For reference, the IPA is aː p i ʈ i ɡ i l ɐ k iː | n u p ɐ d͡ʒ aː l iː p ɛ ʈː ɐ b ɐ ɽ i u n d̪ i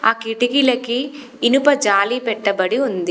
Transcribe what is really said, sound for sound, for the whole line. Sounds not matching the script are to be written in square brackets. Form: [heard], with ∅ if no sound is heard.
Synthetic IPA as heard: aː [k] i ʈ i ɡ i l ɐ k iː | n u p ɐ d͡ʒ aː l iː p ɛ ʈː ɐ b ɐ ɽ i u n d̪ i